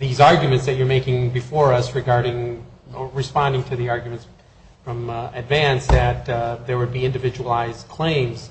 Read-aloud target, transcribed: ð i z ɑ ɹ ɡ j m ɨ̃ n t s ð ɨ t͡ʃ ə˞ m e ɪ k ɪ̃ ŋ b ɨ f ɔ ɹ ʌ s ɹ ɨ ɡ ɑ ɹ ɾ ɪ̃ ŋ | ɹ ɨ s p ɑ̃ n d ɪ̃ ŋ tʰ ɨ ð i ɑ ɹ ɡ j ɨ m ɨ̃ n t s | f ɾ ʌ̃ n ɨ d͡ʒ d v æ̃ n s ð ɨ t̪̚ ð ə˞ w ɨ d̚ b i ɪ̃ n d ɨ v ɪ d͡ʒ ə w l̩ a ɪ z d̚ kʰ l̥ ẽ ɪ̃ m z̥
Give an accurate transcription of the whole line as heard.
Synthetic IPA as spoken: ð i z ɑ ɹ ɡ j m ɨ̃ n t s ð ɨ t͡ʃ ə˞ m e ɪ k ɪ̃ ŋ b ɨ f ɔ ɹ ʌ s ɹ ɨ ɡ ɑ ɹ ɾ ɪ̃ ŋ | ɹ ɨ s p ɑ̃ n d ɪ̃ ŋ tʰ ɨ ð i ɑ ɹ ɡ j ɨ m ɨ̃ n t s | f ɹ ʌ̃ m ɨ d v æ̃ n s ð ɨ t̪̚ ð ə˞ w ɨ d̚ b i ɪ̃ n d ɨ v ɪ d͡ʒ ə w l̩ a ɪ z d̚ kʰ l̥ ẽ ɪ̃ m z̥